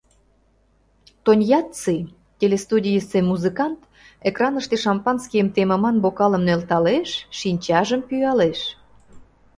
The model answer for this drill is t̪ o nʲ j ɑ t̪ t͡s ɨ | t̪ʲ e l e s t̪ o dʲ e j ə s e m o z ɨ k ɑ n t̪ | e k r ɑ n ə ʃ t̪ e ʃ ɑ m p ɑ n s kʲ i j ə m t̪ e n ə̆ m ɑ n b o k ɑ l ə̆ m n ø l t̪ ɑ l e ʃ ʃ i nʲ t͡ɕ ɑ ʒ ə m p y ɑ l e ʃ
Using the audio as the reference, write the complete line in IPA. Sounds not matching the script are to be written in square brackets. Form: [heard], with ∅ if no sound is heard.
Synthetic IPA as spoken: t̪ o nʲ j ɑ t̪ t͡s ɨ | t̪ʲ e l e s t̪ [u] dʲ [i] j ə s e m [u] z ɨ k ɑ n t̪ | e k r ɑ n ə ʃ t̪ e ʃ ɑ m p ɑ n s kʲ i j ə m t̪ e [m] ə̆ m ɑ n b o k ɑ l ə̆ m n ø l t̪ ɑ l e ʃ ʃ i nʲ t͡ɕ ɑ ʒ ə m p y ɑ l e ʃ